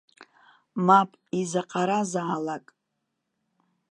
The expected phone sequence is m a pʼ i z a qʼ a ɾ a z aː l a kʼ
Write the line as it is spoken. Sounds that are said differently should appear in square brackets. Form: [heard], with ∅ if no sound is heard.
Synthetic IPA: m a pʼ i z a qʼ a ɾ a z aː l a kʼ